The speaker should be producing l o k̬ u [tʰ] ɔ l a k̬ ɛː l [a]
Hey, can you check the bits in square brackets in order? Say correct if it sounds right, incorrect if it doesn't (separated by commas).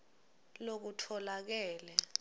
correct, incorrect